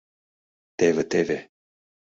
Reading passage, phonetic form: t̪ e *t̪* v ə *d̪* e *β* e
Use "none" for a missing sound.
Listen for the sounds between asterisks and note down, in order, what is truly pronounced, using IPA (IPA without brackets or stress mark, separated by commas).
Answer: none, t̪, v